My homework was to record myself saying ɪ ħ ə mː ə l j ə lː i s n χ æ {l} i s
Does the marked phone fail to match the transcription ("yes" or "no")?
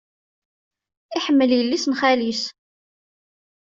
no